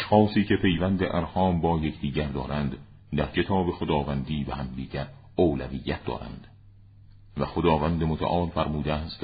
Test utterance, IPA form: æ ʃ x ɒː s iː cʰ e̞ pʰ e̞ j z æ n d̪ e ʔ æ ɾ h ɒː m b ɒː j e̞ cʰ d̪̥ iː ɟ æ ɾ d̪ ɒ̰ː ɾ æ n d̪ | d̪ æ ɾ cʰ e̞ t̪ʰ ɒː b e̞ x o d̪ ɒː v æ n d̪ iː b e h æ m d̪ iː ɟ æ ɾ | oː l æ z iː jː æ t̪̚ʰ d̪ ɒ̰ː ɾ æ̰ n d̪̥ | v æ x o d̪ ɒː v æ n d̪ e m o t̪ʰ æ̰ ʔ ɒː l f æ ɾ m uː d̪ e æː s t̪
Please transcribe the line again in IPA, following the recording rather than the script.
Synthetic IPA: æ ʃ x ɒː s iː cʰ e̞ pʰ e̞ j v æ n d̪ e ʔ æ ɾ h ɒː m b ɒː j e̞ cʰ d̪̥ iː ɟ æ ɾ d̪ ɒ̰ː ɾ æ n d̪ | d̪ æ ɾ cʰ e̞ t̪ʰ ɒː b e̞ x o d̪ ɒː v æ n d̪ iː b e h æ m d̪ iː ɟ æ ɾ | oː l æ v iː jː æ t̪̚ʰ d̪ ɒ̰ː ɾ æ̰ n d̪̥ | v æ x o d̪ ɒː v æ n d̪ e m o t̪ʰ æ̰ ʔ ɒː l f æ ɾ m uː d̪ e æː s t̪